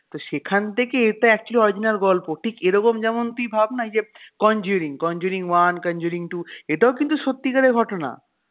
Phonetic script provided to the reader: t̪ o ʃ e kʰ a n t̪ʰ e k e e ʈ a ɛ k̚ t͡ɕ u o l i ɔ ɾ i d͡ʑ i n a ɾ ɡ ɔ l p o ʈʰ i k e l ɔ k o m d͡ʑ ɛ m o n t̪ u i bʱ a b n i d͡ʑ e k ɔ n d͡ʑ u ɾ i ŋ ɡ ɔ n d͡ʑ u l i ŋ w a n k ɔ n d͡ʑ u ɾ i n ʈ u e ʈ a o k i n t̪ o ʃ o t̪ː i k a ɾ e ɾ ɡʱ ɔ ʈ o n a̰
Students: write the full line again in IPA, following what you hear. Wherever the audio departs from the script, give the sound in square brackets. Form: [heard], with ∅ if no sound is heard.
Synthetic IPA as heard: t̪ o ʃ e kʰ a n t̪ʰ e k e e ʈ a ɛ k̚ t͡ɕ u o l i ɔ ɾ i d͡ʑ i n a ɾ ɡ ɔ l p o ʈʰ i k e [ɾ] ɔ k o m d͡ʑ ɛ m o n t̪ u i bʱ a b n [a] d͡ʑ e k ɔ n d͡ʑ u ɾ i ŋ [k] ɔ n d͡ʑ u [ɾ] i ŋ w a n k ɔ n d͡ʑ u ɾ i [ŋ] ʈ u e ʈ a o k i n t̪ [u] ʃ o t̪ː i k a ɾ e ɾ ɡʱ ɔ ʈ o n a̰